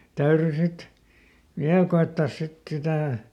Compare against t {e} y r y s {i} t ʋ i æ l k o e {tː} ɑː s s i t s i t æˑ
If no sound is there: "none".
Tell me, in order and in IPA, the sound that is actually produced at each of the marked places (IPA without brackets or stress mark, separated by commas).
æ, i, tː